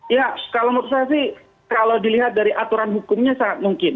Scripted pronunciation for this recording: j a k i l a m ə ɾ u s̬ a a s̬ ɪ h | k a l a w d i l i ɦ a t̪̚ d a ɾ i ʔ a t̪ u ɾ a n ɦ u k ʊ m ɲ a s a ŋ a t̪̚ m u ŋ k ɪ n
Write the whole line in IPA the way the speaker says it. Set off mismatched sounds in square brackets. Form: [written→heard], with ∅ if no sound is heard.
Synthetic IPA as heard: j a k [i→a] l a m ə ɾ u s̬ a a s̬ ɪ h | k a l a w d i l i ɦ a t̪̚ d a ɾ i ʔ a t̪ u ɾ a n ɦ u k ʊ m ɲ a s a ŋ a t̪̚ m u ŋ k ɪ n

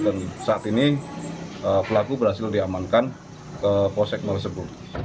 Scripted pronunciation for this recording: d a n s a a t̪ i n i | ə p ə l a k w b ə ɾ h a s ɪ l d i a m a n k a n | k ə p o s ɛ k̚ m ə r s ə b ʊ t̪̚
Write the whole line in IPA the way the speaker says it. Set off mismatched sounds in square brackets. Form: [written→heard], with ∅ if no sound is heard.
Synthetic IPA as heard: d a n s a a t̪ i n i | ə p ə l a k [w→u] b ə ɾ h a s ɪ l d i a m a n k a n | k ə p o s ɛ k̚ m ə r s ə b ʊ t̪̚

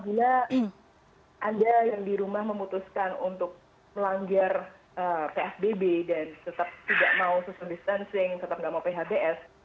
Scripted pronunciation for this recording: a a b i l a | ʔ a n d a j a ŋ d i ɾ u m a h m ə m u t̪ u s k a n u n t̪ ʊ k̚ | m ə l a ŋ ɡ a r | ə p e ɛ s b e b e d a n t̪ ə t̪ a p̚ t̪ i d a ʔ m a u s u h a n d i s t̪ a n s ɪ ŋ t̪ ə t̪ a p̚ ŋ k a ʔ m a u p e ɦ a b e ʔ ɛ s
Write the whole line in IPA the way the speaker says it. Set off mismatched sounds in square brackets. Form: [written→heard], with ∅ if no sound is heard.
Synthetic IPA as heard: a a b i l a | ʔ a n d a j a ŋ d i ɾ u m a h m ə m u t̪ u s k a n u n t̪ ʊ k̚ | m ə l a ŋ ɡ a r | ə p e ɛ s b e b e d a n t̪ ə t̪ a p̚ t̪ i d a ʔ m a u s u [h→s] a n d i s t̪ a n s ɪ ŋ t̪ ə t̪ a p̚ ŋ [k→ɡ] a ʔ m a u p e ɦ a b e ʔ ɛ s

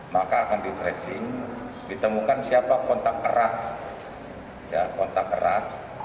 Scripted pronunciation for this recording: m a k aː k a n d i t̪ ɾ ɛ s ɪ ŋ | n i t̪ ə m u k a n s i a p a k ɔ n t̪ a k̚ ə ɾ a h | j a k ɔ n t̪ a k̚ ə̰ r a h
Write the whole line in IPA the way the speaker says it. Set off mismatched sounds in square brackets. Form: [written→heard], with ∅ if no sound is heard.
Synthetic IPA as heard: m a k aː k a n d i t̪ ɾ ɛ s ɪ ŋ | [n→d] i t̪ ə m u k a n s i a p a k ɔ n t̪ a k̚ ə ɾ a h | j a k ɔ n t̪ a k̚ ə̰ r a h

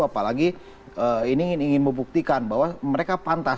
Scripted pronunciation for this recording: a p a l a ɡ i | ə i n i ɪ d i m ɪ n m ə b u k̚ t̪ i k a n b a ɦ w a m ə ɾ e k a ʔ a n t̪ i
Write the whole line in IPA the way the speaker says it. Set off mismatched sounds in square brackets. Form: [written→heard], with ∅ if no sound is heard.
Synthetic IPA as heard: a p a l a ɡ i | ə i n i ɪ [d→n] i [m→ŋ] ɪ n m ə b u k̚ t̪ i k a n b a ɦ w a m ə ɾ e k a [ʔ→p] a n t̪ [i→a]

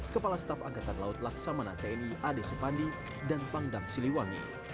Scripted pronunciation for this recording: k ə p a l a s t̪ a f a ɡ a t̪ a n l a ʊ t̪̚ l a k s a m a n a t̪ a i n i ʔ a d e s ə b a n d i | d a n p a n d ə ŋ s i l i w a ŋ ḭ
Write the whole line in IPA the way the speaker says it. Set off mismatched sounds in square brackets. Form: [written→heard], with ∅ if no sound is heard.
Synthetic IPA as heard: k ə p a l a s t̪ a f a ɡ a t̪ a n l a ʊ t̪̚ l a k s a m a n a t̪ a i n i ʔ a d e s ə [b→p] a n d i | d a n p a [n→ŋ] d [ə→a] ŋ s i l i w a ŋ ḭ

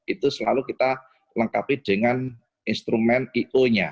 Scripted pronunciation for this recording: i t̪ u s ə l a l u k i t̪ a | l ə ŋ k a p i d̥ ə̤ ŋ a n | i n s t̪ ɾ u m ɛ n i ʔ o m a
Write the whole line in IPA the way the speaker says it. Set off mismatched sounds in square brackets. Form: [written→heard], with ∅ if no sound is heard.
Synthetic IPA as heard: i t̪ u s ə l a l u k i t̪ a | l ə ŋ k a p i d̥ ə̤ ŋ a n | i n s t̪ ɾ u m ɛ n i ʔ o [m→ɲ] a

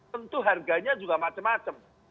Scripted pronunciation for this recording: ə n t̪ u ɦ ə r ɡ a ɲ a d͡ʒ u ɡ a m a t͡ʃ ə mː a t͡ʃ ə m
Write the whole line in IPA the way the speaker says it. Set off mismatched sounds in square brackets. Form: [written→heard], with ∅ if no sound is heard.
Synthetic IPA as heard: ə n t̪ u ɦ [ə→a] r ɡ a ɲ a d͡ʒ u ɡ a m a t͡ʃ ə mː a t͡ʃ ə m

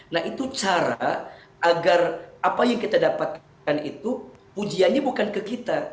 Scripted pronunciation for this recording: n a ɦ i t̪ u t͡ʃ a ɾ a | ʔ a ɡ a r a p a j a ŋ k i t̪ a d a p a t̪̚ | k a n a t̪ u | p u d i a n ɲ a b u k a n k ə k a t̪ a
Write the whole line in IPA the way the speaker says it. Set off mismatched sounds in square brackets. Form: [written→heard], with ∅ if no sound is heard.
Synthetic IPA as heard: n a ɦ i t̪ u t͡ʃ a ɾ a | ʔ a ɡ a r a p a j a ŋ k i t̪ a d a p a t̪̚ | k a n [a→i] t̪ u | p u [d→d͡ʒ] i a n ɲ a b u k a n k ə k [a→i] t̪ a

